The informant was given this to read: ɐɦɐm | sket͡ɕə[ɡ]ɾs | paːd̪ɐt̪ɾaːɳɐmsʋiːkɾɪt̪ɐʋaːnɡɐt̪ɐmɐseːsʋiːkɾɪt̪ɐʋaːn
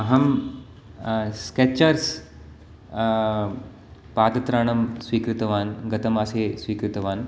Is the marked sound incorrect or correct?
incorrect